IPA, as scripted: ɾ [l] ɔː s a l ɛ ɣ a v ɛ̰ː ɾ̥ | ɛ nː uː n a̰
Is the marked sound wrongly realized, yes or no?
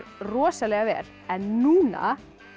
yes